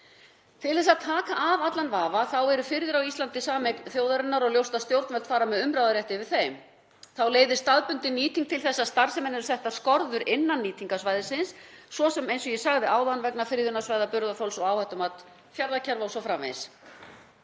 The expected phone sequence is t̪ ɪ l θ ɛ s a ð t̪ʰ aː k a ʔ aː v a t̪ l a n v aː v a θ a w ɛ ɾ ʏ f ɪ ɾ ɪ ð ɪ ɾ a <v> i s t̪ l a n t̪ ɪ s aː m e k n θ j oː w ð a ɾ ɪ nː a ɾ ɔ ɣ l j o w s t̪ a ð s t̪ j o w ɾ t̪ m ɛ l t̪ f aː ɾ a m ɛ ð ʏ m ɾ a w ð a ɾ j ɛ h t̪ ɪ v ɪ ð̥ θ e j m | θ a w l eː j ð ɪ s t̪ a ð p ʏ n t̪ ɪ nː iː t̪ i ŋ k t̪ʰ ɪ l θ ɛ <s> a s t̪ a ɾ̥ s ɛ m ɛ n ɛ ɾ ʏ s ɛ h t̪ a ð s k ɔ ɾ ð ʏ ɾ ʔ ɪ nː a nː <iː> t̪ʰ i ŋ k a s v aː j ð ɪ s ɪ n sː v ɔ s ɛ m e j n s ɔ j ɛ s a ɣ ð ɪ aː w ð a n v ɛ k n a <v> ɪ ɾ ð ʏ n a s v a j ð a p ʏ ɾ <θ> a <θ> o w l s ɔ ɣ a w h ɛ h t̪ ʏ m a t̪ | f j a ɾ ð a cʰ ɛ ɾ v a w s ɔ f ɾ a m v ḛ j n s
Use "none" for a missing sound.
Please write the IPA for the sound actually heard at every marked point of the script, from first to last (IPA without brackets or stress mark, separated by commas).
w, sː, iː, f, ð, f